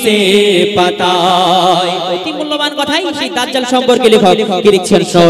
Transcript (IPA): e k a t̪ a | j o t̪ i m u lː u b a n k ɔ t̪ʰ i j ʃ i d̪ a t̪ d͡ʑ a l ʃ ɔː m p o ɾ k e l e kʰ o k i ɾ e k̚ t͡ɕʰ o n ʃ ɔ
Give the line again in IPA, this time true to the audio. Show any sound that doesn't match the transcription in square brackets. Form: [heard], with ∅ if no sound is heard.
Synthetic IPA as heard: e [p] a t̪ a | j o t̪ i m u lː [o] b a n k ɔ t̪ʰ [a] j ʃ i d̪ a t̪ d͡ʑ a l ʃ [ɔ] m p o ɾ k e l e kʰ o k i ɾ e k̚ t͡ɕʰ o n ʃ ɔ